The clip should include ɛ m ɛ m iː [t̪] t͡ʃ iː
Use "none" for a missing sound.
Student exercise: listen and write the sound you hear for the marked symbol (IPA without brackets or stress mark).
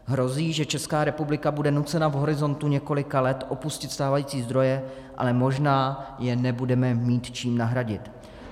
t̪